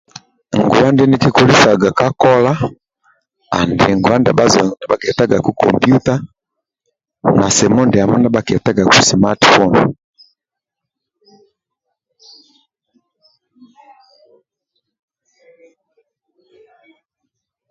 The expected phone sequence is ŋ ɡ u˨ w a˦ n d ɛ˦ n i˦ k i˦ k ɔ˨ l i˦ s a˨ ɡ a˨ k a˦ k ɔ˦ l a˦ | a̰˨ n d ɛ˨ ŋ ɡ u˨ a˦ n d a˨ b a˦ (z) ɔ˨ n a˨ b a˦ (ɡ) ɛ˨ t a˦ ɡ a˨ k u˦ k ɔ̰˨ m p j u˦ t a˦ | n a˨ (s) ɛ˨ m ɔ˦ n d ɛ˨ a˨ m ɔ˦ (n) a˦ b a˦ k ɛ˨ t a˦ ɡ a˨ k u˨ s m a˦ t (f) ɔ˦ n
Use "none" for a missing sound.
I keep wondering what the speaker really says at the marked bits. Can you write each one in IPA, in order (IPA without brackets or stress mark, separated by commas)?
z, k, s, n, f